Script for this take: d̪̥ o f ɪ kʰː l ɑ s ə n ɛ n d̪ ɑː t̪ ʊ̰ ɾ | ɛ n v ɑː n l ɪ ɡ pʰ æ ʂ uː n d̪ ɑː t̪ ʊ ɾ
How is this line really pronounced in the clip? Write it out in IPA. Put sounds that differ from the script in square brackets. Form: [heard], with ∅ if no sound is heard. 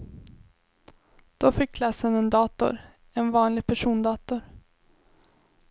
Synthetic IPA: d̪̥ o f ɪ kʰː l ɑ s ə n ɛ n d̪ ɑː t̪ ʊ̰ ɾ | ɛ n v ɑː n l ɪ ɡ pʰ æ ʂ uː n d̪ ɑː t̪ ʊ ɾ